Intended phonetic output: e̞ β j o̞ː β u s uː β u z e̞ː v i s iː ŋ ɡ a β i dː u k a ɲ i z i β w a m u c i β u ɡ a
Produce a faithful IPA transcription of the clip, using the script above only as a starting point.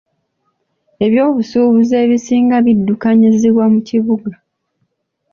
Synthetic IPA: e̞ β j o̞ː β u s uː β u z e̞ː β i s iː ŋ ɡ a β i dː u k a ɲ i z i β w a m u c i β u ɡ a